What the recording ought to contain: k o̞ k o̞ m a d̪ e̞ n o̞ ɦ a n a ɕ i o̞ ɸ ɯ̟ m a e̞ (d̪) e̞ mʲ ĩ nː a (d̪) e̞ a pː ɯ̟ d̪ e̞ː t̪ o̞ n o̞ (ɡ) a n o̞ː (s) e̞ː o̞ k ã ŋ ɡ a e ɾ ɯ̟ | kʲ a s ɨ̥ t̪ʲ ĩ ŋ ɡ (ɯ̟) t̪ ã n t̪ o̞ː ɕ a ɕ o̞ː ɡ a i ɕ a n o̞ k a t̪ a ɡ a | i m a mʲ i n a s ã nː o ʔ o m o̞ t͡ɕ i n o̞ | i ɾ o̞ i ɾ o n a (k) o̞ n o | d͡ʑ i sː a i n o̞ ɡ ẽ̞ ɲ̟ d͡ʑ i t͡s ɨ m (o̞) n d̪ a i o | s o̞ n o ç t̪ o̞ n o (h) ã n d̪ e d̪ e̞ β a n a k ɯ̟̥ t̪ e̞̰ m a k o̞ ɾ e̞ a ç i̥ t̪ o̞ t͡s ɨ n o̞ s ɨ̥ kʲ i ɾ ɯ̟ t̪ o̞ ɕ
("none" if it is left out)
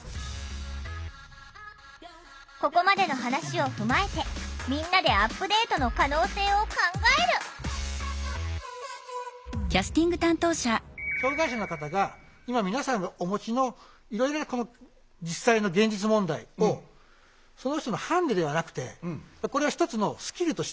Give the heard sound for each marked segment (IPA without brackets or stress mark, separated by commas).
t̪, d̪, k, s, ɯ̟, k, õ̞, h